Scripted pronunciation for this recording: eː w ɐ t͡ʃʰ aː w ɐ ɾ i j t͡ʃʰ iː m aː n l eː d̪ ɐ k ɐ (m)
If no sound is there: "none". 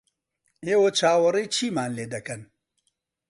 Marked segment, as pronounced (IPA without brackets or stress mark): n